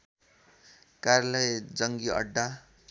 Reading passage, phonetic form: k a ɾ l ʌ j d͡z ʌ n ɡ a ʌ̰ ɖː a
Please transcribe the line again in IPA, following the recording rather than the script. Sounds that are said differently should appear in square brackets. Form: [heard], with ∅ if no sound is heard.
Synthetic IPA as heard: k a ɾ l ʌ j d͡z ʌ [ŋ] ɡ [i] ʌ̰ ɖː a